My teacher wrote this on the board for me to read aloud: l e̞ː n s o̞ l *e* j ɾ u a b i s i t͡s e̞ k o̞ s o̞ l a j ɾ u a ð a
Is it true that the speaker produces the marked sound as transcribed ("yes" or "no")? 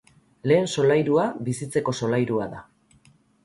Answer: no